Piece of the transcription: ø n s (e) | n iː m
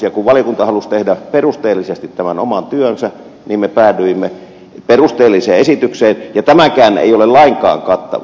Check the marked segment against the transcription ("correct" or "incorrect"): incorrect